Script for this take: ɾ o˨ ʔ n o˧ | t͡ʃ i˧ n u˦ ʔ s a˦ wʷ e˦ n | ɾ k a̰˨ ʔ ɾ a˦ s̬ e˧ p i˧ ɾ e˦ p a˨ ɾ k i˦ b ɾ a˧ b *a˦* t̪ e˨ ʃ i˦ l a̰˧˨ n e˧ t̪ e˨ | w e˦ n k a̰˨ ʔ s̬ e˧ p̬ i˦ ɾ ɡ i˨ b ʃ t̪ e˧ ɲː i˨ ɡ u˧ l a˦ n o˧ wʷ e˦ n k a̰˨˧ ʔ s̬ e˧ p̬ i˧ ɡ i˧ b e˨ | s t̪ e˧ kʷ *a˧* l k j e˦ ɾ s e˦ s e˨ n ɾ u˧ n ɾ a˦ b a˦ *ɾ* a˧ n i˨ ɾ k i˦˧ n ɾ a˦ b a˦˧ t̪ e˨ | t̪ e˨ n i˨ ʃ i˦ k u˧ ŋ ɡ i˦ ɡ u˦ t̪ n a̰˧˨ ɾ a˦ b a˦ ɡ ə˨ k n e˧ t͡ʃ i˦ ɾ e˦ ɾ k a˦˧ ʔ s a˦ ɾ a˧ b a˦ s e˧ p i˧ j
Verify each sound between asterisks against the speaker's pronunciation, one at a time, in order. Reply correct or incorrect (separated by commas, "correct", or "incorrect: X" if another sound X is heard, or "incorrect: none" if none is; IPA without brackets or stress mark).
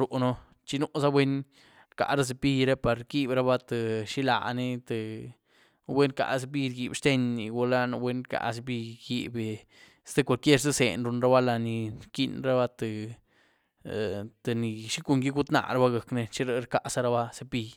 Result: correct, correct, incorrect: l